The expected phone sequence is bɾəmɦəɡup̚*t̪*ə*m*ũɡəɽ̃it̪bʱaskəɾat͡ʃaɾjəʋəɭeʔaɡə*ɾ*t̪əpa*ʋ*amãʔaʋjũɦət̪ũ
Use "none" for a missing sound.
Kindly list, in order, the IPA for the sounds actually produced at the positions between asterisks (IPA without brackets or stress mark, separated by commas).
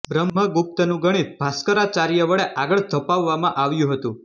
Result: t̪, n, ɭ, ʋː